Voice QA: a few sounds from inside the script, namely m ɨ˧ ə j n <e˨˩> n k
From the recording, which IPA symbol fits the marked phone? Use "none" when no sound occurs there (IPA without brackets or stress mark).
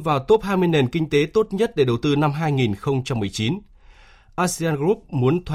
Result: e˨˩